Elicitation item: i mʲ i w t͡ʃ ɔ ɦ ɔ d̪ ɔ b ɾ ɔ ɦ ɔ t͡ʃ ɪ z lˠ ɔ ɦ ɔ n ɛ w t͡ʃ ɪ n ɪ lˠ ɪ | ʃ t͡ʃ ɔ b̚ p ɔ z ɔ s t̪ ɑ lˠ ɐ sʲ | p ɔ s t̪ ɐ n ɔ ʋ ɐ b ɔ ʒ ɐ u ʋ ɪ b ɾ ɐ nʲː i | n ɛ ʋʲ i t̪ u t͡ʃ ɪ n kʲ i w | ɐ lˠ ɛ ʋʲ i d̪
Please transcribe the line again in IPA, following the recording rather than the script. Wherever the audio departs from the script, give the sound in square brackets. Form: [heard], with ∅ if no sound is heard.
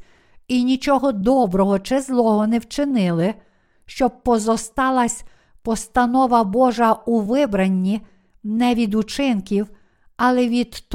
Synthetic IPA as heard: i [nʲ] i [∅] t͡ʃ ɔ ɦ ɔ d̪ ɔ b ɾ ɔ ɦ ɔ t͡ʃ ɪ z lˠ ɔ ɦ ɔ n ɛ w t͡ʃ ɪ n ɪ lˠ ɪ | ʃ t͡ʃ ɔ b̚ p ɔ z ɔ s t̪ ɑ lˠ ɐ sʲ | p ɔ s t̪ ɐ n ɔ ʋ ɐ b ɔ ʒ ɐ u ʋ ɪ b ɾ ɐ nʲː i | n ɛ ʋʲ i [d̪] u t͡ʃ ɪ n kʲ i w | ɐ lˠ ɛ ʋʲ i d̪